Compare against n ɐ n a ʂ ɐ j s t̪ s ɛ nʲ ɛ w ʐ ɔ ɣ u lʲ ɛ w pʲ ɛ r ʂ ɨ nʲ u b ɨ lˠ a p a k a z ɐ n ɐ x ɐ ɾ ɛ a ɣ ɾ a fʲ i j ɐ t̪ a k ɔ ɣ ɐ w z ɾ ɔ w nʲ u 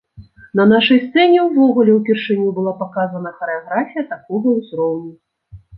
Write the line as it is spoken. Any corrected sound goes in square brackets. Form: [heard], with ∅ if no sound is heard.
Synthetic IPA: n ɐ n a ʂ ɐ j s t̪ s ɛ nʲ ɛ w [v] ɔ ɣ u lʲ ɛ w pʲ ɛ r ʂ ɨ nʲ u b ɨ lˠ a p a k a z ɐ n ɐ x ɐ ɾ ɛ a ɣ ɾ a fʲ i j ɐ t̪ a k ɔ ɣ ɐ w z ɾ ɔ w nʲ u